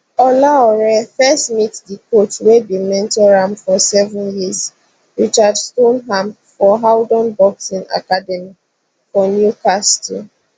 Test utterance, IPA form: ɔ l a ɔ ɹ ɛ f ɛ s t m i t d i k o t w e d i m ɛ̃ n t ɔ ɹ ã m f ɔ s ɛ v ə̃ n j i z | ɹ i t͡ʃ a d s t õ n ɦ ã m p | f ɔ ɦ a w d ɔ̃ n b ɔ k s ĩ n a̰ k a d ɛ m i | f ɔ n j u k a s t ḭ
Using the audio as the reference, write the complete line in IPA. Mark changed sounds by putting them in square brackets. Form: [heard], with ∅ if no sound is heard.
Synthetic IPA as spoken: ɔ l a ɔ ɹ ɛ f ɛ s t m i t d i k o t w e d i m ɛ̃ n t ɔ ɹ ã m f ɔ s ɛ v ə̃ n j i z | ɹ i t͡ʃ a d s t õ n ɦ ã m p | f ɔ ɦ a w d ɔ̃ n b ɔ k s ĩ n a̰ k a d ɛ m i | f ɔ n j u k a s t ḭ